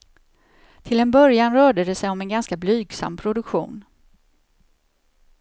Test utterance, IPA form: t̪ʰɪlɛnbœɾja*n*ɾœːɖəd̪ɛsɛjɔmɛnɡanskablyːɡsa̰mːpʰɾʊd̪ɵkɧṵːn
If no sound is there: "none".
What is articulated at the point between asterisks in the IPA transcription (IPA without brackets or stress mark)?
n